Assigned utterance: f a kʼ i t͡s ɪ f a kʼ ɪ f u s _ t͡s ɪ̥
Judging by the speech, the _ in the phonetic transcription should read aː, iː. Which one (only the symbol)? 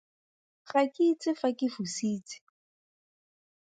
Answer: iː